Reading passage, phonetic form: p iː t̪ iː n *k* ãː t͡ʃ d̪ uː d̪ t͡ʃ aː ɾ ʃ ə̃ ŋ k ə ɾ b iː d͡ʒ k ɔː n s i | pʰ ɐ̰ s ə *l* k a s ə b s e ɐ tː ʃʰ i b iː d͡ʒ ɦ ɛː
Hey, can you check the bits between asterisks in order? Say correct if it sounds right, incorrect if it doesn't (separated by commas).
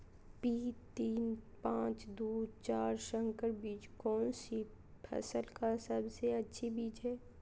incorrect, correct